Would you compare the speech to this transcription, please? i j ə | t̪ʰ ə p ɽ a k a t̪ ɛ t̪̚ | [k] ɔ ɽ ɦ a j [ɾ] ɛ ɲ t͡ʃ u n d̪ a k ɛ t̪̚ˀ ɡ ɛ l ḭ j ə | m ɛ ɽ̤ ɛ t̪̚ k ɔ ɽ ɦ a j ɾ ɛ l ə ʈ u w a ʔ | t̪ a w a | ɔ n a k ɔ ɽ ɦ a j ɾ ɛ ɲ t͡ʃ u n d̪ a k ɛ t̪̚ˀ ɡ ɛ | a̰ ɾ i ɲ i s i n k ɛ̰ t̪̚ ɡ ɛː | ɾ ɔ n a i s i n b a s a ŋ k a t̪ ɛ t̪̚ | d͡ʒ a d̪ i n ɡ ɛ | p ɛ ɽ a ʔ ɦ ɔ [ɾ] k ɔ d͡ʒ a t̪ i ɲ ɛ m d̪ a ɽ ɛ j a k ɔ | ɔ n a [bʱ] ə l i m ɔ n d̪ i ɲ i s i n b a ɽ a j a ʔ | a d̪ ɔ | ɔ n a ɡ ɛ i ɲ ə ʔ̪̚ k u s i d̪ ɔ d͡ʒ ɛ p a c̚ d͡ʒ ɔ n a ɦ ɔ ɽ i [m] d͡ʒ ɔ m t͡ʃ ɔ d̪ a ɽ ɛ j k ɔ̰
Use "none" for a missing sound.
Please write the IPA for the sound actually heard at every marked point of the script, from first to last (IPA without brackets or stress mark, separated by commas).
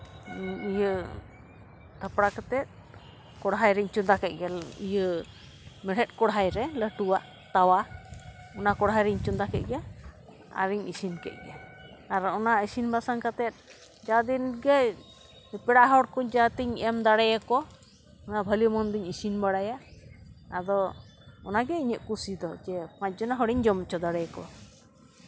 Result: k, ɾ, ɽ, bʱ, ɲ